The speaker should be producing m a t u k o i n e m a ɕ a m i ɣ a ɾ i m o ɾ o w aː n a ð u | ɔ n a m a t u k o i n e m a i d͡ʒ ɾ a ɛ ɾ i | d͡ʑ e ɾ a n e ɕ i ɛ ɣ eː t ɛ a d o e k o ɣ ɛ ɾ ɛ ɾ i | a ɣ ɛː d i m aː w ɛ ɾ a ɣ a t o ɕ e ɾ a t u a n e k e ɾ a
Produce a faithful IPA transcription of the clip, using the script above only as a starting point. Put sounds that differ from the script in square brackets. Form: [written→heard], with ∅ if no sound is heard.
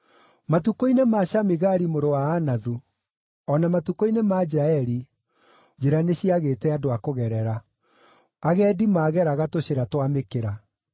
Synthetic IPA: m a t u k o i n e m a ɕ a m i ɣ a ɾ i m o ɾ o w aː n a ð u | ɔ n a m a t u k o i n e m a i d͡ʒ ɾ a ɛ ɾ i | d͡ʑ e ɾ a n e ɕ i [ɛ→a] ɣ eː t ɛ a d o [e→a] k o ɣ ɛ ɾ ɛ ɾ [i→a] | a ɣ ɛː d i m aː [w→ɣ] ɛ ɾ a ɣ a t o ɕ e ɾ a t [u→w] a [n→m] e k e ɾ a

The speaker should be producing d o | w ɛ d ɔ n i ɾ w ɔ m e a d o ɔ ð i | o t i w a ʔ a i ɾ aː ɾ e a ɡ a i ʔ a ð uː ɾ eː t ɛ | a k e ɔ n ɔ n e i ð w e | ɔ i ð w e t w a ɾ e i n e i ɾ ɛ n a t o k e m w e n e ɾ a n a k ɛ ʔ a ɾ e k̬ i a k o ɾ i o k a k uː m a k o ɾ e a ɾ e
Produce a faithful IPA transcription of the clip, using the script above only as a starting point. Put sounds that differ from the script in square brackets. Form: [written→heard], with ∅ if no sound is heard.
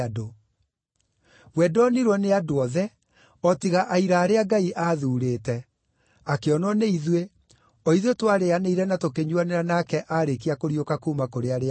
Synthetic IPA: d o | w ɛ d ɔ n i ɾ w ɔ [m→n] e a d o ɔ ð [i→ɛ] | [o→ɔ] t i [w→ɣ] a ʔ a i ɾ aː ɾ e a ɡ a i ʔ a ð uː ɾ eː t ɛ | a k e ɔ n ɔ n e i ð w e | ɔ i ð w e t w a ɾ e [i→a] n e i ɾ ɛ n a t o k e [m→ɲ] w [e→a] n e ɾ a n a k ɛ ʔ a ɾ e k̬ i a k o ɾ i o k a k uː m a k o ɾ e a ɾ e

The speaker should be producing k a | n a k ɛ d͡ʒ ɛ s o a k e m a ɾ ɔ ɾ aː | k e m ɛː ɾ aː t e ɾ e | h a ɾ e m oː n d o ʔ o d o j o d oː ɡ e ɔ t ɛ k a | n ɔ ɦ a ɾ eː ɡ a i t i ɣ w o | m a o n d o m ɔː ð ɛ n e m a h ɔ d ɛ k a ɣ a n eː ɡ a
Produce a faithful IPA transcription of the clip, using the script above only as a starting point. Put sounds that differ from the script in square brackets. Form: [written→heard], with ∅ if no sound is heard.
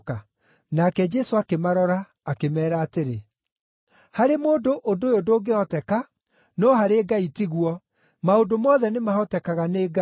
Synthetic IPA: k a | n a k ɛ d͡ʒ ɛ s o a k e m a ɾ ɔ ɾ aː | k e m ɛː ɾ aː t e ɾ e | h a ɾ e m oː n d o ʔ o d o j o d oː ɡ e ɔ t ɛ k a | n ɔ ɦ a ɾ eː ɡ a i t i ɣ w [o→ɔ] | m a o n d o m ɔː ð ɛ n e m a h ɔ [d→t] ɛ k a ɣ a n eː ɡ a

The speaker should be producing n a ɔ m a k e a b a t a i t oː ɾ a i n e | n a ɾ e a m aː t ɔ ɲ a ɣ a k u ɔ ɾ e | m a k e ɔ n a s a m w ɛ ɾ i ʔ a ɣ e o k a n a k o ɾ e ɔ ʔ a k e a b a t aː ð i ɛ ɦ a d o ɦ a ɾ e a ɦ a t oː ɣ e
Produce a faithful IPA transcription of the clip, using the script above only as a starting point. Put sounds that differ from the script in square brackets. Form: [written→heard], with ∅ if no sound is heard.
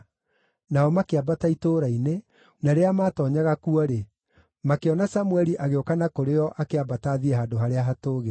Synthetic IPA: n a ɔ m a k e a b a t a i t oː ɾ a i n e | n a ɾ e a m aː t ɔ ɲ a ɣ a k u ɔ ɾ e | m a k e ɔ n a s a m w ɛ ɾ i ʔ a ɣ e o k a n a k o ɾ e ɔ ʔ a k e a b a t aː ð i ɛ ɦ a d o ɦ a ɾ e a ɦ a t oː ɣ e

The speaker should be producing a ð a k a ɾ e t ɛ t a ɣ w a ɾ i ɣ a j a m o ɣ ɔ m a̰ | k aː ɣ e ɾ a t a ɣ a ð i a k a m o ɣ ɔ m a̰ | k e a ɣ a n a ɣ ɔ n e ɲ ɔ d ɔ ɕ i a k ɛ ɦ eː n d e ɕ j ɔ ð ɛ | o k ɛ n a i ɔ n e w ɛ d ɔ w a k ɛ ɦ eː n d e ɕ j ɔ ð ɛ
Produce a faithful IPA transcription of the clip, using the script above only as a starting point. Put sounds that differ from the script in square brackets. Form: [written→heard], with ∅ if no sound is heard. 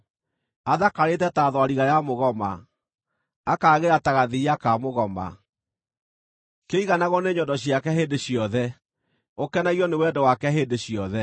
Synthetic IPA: a ð a k a ɾ e t ɛ t a [ɣ→ð] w a ɾ i ɣ a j a m o ɣ ɔ m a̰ | k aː ɣ e ɾ a t a ɣ a ð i a k a m o ɣ ɔ m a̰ | k e [a→i] ɣ a n a ɣ ɔ n e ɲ ɔ d ɔ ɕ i a k ɛ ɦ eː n d e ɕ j ɔ ð ɛ | o k ɛ n a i ɔ n e w ɛ d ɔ w a k ɛ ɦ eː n d e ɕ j ɔ ð ɛ

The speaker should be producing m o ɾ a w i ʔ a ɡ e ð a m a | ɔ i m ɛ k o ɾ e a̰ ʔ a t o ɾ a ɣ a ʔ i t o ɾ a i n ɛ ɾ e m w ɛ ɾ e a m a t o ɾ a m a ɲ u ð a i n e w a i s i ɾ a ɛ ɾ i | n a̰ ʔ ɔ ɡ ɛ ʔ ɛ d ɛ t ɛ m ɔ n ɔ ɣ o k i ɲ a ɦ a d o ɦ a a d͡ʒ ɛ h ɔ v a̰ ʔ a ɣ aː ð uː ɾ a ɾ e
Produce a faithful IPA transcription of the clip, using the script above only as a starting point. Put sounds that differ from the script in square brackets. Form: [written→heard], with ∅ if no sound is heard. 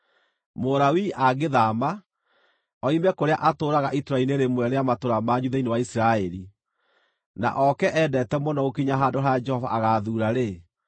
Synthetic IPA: m o ɾ a w i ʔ a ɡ e ð a m a | ɔ i m ɛ k o ɾ e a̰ ʔ a t o ɾ a ɣ a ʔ i t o ɾ a i n [ɛ→e] ɾ e m w ɛ ɾ e a m a t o ɾ a m a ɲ u ð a i n e w a i s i ɾ a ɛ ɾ i | n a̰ ʔ ɔ [ɡ→k] ɛ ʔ ɛ d ɛ t ɛ m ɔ n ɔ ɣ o k i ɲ a ɦ a d o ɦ a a d͡ʒ ɛ h ɔ v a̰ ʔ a ɣ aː ð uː ɾ a ɾ e

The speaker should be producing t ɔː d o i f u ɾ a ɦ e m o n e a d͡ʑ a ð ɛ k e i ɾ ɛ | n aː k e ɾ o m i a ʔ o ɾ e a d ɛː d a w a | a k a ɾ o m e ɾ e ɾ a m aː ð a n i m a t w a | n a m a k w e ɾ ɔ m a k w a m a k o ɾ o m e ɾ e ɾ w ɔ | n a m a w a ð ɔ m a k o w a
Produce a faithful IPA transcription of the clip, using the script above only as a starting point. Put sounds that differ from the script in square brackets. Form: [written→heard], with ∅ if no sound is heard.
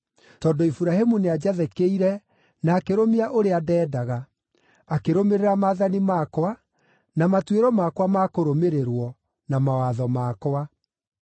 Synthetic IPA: t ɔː d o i f u ɾ a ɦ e m [o→u] n e a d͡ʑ a ð ɛ k e i ɾ ɛ | n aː k e ɾ o m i a ʔ o ɾ e a d ɛː d a [w→ɣ] a | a k [a→e] ɾ o m e ɾ e ɾ a m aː ð a n i m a [t→k] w a | n a m a [k→t] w e ɾ ɔ m a k w a m a k o ɾ o m e ɾ e ɾ w ɔ | n a m a w a ð ɔ m a k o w a

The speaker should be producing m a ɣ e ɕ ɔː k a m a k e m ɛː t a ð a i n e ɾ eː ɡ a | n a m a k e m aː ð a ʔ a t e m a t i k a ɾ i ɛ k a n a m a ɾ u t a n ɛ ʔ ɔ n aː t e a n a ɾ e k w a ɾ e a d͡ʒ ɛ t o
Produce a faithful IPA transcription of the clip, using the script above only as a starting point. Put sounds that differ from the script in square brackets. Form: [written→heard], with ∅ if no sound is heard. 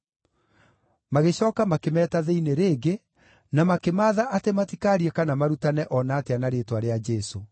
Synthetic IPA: m a ɣ e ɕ ɔː k a m a k e m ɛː t a ð [a→e] i n e ɾ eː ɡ [a→e] | n a m a k e m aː ð a ʔ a t e m a t i k a ɾ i ɛ k a n a m a ɾ u t a n ɛ ʔ ɔ n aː t e a n a ɾ e [k→t] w a ɾ e a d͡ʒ ɛ [t→s] o

